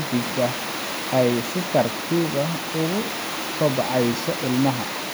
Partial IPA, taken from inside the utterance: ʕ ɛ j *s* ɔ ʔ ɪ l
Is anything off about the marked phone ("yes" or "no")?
no